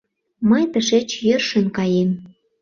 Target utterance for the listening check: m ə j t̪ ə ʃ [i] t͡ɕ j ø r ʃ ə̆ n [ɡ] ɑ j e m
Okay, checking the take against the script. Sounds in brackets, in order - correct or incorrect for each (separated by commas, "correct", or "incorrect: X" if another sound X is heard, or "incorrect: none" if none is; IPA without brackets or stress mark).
incorrect: e, incorrect: k